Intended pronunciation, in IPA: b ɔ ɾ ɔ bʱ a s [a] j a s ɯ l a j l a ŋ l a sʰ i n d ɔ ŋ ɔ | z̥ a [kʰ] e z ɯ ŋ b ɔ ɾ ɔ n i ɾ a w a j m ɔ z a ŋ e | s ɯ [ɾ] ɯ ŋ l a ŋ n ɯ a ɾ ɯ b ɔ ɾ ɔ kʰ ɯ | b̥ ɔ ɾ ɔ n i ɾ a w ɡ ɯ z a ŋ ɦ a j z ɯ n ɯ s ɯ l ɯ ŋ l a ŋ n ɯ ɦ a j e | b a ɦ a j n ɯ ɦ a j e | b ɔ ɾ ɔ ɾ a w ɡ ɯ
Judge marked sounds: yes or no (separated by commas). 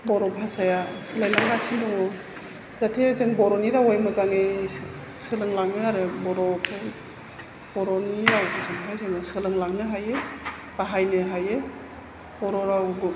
yes, no, no